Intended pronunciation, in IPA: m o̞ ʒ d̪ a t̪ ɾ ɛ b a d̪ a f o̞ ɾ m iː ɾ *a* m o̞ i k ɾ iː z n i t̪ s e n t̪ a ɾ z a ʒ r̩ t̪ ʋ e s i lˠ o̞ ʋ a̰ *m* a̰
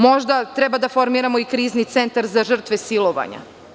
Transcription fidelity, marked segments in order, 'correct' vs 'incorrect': correct, incorrect: ɲ

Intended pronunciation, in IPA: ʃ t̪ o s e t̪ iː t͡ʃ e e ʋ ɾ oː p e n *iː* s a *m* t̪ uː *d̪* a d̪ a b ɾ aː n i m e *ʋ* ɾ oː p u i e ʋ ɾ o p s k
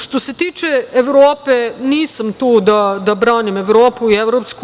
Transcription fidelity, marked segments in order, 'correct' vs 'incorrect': correct, correct, correct, correct

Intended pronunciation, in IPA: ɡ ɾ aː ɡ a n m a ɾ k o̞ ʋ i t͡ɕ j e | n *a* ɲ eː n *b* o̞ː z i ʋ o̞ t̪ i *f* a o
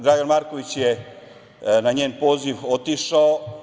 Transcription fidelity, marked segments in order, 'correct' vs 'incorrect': correct, incorrect: p, incorrect: ʃ

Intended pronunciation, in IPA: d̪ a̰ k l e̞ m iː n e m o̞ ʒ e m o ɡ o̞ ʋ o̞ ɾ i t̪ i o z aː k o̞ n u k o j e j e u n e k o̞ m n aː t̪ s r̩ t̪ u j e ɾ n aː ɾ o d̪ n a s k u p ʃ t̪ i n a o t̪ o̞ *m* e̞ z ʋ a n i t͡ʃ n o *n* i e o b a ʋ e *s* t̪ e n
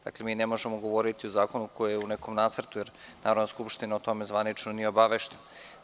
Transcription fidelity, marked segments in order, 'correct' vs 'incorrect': correct, correct, incorrect: ʃ

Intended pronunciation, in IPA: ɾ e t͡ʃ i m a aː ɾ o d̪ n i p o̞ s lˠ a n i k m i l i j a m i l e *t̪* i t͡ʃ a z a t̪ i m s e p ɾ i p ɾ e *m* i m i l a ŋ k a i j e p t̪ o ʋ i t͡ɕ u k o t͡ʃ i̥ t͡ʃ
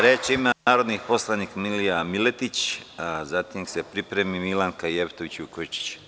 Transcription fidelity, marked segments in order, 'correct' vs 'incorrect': correct, correct

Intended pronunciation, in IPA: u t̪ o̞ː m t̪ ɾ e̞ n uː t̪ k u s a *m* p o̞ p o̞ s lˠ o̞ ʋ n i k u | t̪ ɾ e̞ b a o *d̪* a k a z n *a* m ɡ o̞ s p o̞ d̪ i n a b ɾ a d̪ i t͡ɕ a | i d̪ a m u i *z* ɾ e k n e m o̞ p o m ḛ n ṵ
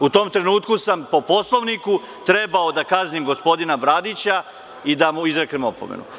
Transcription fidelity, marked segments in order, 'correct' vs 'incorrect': correct, correct, incorrect: i, correct

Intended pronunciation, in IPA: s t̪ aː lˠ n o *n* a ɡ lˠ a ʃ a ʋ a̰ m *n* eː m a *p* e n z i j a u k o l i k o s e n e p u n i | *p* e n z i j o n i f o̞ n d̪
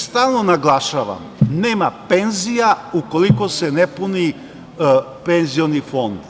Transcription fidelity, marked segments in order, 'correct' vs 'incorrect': correct, correct, correct, correct

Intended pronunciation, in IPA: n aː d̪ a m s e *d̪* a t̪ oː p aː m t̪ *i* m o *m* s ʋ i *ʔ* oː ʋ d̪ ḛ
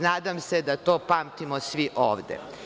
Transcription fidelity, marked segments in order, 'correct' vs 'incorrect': correct, correct, incorrect: none, correct

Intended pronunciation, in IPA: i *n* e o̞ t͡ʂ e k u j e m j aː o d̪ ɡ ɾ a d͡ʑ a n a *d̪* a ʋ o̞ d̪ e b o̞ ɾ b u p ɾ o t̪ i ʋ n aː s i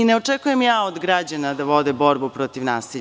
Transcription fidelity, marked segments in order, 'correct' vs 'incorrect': correct, correct

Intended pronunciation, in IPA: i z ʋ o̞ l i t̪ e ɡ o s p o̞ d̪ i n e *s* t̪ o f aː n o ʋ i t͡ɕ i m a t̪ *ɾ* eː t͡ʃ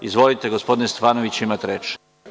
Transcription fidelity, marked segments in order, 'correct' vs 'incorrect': correct, correct

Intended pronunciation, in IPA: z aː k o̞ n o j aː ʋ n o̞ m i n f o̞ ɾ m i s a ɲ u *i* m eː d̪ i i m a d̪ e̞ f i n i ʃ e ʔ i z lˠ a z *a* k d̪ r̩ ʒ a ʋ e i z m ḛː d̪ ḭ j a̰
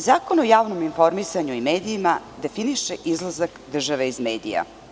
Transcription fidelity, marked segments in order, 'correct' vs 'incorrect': correct, correct

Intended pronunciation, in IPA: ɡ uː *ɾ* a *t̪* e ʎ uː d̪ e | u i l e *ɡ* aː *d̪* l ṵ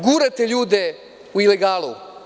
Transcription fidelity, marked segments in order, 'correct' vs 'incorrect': correct, correct, correct, incorrect: none

